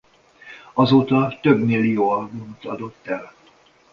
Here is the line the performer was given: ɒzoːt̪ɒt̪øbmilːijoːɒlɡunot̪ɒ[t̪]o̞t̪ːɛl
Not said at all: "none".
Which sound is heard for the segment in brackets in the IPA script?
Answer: d̪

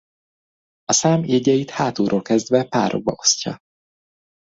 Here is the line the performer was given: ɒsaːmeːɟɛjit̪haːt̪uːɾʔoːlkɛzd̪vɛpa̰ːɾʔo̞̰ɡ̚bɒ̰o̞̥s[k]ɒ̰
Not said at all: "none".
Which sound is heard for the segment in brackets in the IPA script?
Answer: c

